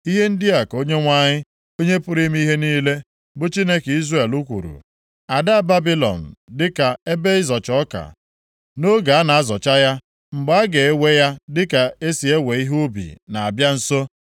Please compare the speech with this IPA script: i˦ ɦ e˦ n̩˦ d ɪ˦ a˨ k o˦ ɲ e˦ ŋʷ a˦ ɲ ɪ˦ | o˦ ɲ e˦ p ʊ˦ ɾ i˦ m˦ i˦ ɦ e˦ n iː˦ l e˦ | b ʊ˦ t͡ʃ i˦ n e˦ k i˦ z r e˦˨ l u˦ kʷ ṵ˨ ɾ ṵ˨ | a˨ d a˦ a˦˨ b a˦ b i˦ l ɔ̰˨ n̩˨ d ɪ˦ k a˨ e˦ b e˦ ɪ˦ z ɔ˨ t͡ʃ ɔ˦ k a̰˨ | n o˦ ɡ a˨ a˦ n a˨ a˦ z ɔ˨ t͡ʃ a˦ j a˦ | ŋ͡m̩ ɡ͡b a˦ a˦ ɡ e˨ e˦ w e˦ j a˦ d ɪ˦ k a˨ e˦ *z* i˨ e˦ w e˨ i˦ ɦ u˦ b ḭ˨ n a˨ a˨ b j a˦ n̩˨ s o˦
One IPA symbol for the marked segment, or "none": s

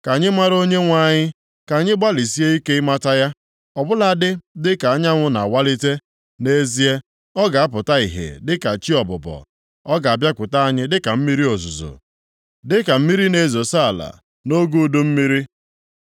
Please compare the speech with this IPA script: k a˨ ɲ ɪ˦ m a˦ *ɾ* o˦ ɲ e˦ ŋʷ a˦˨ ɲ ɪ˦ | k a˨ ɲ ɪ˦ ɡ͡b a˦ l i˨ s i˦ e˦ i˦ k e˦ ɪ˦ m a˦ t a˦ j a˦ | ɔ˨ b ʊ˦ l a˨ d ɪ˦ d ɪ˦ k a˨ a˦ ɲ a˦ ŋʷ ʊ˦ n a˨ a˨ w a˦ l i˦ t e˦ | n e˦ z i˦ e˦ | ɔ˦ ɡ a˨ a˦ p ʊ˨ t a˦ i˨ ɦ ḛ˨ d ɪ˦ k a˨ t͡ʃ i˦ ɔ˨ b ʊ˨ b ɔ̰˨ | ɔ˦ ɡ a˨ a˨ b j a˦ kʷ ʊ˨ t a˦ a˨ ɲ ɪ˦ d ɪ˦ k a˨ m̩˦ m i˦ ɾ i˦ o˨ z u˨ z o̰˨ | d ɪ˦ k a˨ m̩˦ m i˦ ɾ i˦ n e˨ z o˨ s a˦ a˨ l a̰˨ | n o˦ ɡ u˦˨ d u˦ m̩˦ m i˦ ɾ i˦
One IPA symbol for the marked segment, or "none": ɾ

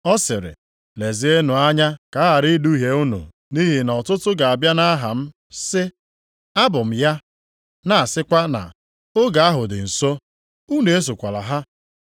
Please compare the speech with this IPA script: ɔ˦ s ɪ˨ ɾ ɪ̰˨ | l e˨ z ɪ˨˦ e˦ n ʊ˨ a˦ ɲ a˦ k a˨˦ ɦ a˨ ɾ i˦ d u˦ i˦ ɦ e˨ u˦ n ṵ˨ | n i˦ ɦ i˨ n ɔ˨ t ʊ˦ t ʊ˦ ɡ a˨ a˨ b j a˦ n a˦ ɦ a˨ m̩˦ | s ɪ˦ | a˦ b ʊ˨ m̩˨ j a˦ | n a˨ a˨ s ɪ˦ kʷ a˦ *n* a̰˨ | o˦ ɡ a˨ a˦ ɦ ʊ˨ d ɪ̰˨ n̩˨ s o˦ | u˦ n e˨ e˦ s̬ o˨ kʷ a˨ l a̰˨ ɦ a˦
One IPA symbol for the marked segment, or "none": n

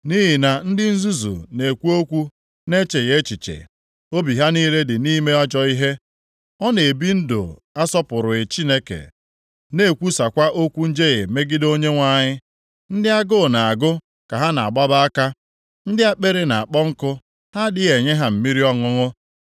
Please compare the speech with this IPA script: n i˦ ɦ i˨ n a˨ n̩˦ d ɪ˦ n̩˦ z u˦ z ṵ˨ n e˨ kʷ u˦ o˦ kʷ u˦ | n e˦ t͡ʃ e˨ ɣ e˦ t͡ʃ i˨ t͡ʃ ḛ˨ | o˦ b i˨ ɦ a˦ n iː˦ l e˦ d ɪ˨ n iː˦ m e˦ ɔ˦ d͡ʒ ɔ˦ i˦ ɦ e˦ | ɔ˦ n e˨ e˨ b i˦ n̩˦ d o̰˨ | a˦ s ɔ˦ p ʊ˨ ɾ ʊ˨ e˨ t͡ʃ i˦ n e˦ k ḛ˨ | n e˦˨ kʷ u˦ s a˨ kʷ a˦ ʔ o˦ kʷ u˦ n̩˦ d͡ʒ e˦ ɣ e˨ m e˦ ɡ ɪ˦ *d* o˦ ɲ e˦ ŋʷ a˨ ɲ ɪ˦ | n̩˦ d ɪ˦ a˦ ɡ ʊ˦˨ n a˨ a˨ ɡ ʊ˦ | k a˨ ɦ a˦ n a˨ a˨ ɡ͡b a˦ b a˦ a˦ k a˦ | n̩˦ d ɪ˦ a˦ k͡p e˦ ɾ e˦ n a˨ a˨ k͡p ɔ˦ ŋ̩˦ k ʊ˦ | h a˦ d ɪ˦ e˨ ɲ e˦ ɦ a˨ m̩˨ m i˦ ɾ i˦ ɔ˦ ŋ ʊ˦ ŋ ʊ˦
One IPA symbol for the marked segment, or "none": d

